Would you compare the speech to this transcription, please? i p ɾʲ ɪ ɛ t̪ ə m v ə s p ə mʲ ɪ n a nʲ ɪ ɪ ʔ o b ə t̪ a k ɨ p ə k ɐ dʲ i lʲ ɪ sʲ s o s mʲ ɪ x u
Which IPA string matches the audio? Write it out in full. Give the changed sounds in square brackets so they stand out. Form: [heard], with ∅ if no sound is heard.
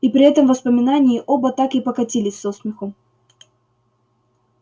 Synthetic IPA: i p ɾʲ ɪ ɛ t̪ ə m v ə s p ə mʲ ɪ n a nʲ ɪ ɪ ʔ o b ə t̪ a k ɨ p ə k ɐ [tʲ] i lʲ ɪ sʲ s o s mʲ ɪ x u